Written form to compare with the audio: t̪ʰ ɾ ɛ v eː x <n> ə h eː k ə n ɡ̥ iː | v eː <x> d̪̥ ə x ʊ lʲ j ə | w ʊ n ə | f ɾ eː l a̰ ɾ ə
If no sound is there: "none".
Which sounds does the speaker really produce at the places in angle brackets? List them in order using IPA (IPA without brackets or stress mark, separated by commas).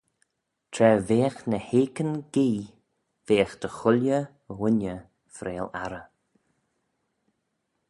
n, x